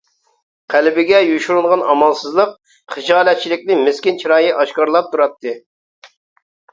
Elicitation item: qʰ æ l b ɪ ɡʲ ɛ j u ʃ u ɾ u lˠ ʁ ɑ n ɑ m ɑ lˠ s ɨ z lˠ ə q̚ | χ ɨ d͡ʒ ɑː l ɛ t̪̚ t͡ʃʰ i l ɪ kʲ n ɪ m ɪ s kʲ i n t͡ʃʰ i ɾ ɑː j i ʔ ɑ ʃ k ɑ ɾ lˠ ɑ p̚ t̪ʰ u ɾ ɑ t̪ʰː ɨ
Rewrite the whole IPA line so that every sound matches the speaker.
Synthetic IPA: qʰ æ l b ɪ ɡʲ ɛ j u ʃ u ɾ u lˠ ʁ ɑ n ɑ m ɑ lˠ s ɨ z lˠ ə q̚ | χ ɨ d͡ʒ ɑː l ɛ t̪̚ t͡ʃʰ i l ɪ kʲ n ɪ m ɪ s kʲ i n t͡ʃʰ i ɾ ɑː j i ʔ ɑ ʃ k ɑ ɾ lˠ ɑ p̚ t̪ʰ u ɾ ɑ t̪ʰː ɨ